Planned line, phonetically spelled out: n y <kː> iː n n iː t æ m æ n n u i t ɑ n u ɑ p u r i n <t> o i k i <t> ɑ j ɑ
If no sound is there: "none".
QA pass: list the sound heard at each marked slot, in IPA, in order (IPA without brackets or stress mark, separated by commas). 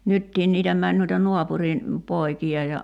tː, p, none